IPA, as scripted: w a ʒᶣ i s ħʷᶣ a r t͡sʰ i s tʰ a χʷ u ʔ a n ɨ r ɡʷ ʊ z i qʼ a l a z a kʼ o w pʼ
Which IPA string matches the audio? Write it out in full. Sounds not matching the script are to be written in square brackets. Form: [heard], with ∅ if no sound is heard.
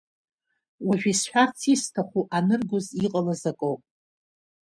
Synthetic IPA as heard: w a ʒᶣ i s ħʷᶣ a r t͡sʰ i s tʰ a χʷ u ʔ a n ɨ r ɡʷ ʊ z i qʼ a l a z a kʼ o w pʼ